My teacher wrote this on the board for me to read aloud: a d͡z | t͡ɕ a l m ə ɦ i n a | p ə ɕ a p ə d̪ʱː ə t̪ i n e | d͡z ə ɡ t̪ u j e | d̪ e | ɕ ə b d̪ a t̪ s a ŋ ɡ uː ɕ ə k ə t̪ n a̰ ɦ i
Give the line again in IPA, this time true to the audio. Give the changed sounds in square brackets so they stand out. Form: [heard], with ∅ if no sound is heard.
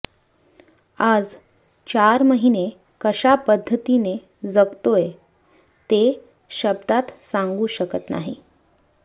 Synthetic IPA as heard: a d͡z | t͡ɕ a [ɾ] m ə ɦ i n [e] | [k] ə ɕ a p ə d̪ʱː ə t̪ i n e | d͡z ə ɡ t̪ [o] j e | [t̪] e | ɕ ə b d̪ a t̪ s a ŋ ɡ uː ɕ ə k ə t̪ n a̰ ɦ i